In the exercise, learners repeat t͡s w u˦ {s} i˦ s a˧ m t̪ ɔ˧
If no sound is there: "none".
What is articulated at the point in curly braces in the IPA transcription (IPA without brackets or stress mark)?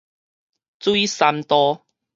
none